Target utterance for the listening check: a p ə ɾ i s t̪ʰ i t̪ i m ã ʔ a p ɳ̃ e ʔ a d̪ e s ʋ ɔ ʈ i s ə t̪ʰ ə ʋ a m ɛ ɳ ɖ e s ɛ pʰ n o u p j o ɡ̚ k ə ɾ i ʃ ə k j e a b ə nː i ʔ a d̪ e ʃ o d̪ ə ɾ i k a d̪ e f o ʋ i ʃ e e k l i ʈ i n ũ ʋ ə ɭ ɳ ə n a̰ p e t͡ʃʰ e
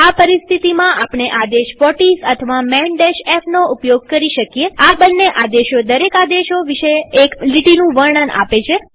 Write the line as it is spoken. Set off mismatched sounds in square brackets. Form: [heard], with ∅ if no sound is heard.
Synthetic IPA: a p ə ɾ i s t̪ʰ i t̪ i m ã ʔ a p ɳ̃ e ʔ a d̪ e [ʃ] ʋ ɔ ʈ i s ə t̪ʰ ə ʋ a m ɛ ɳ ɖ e [ʃ] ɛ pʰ n o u p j o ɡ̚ k ə ɾ i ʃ ə k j e a b ə nː [e] ʔ a d̪ e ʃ o d̪ ə ɾ [e] k a d̪ e [ʃ] o ʋ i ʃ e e k l i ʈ i n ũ ʋ ə [ɾ] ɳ ə n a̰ p e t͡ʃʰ e